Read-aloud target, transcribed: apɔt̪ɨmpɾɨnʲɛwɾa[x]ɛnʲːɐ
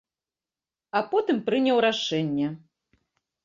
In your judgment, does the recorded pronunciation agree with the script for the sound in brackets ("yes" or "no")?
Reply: no